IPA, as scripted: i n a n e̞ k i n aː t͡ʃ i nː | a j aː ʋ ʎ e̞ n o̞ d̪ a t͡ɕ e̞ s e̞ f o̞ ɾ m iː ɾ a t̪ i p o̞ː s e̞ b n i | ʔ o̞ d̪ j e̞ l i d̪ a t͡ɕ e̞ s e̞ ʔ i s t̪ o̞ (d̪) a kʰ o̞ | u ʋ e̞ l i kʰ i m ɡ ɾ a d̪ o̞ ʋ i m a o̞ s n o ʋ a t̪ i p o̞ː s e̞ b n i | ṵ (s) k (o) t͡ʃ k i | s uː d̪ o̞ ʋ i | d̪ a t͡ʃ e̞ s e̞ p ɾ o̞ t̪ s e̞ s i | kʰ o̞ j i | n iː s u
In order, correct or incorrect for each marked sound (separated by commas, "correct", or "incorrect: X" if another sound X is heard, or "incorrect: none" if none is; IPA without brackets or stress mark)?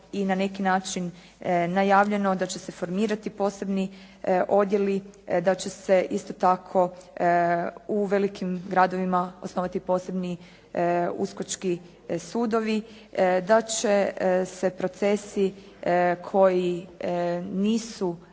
incorrect: t̪, correct, correct